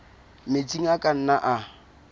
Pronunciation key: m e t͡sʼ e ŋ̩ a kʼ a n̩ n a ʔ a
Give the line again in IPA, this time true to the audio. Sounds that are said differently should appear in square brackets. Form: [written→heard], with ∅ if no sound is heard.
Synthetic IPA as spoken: m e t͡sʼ [e→i] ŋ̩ a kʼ a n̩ n a ʔ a

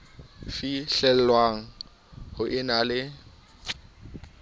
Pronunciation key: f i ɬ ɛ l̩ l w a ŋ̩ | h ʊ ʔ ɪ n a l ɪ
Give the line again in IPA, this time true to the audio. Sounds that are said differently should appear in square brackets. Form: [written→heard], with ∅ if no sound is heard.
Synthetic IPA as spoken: f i ɬ ɛ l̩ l w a ŋ̩ | h ʊ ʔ ɪ n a l ɪ

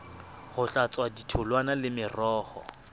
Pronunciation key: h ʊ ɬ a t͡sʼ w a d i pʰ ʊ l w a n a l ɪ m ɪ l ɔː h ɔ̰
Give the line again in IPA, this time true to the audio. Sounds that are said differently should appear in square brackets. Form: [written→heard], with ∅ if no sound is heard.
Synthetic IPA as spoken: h ʊ ɬ a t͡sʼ w a d i [pʰ→tʰ] ʊ l w a n a l ɪ m ɪ [l→r] ɔː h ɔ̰

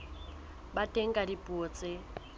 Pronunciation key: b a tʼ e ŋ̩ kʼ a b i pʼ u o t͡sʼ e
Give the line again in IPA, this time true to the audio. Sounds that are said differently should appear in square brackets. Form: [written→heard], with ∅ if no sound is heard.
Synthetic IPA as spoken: b a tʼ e ŋ̩ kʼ a [b→d] i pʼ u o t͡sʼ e

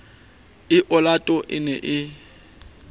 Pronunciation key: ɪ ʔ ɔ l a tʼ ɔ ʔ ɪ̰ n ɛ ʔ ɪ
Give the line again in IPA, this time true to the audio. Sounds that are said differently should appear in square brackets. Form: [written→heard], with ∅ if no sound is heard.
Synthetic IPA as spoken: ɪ ʔ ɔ l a tʼ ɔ ʔ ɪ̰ n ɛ ʔ ɪ

